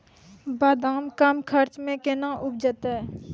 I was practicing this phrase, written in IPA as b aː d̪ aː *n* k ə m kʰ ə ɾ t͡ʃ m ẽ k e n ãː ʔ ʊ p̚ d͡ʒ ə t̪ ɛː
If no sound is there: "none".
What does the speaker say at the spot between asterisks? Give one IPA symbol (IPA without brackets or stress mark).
m